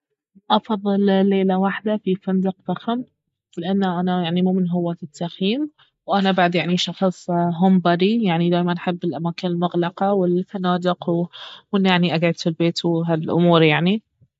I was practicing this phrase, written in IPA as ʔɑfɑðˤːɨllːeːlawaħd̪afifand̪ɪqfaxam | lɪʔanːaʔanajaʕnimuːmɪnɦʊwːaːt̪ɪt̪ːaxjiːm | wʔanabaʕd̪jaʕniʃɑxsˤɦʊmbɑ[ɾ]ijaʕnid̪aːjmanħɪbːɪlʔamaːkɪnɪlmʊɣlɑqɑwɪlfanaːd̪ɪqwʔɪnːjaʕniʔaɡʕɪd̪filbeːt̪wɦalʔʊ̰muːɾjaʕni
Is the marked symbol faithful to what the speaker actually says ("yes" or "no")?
yes